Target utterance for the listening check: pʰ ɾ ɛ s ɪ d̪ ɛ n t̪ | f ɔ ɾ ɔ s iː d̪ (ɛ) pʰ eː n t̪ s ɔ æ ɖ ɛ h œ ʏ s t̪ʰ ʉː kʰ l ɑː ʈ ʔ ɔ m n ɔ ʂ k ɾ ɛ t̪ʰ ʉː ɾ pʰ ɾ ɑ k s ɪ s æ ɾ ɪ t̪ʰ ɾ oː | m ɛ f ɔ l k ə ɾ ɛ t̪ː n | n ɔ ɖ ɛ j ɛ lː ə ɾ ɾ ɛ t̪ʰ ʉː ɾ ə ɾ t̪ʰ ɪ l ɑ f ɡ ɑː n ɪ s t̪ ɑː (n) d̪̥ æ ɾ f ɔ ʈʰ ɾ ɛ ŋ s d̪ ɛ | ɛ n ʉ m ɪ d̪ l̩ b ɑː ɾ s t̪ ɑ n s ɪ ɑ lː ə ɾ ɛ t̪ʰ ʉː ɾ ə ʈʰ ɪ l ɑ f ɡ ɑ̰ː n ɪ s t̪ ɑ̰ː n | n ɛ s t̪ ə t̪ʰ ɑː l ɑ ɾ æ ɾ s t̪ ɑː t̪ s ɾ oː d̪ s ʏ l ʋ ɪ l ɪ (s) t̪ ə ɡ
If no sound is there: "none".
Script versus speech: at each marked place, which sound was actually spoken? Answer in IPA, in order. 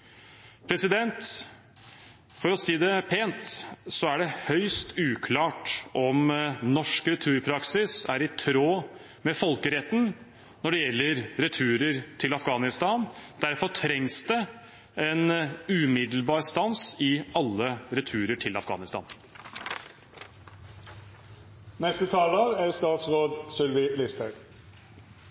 ɛ, n, s

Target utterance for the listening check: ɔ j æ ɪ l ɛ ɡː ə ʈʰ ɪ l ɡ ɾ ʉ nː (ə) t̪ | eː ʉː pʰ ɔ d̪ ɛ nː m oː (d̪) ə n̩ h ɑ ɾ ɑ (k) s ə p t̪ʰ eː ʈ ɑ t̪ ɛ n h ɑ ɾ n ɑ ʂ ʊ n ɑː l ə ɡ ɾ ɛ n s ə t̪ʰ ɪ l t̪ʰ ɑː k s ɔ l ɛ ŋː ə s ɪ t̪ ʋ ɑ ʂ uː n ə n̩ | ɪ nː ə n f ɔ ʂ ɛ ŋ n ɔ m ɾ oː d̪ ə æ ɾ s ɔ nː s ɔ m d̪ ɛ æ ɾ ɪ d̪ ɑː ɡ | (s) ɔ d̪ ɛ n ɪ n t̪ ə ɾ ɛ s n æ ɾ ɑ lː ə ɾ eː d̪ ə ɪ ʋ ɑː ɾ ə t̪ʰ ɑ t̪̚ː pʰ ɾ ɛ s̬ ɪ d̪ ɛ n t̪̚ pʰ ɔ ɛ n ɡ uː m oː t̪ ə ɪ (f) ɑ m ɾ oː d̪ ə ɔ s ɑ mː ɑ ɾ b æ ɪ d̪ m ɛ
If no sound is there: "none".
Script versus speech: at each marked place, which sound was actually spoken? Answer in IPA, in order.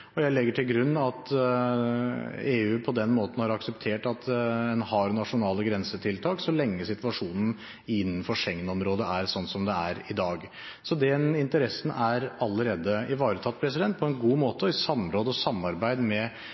ɑ, t̪, k, s, s

